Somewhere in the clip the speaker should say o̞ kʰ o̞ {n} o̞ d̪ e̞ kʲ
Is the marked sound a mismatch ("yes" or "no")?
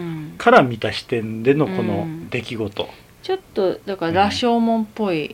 no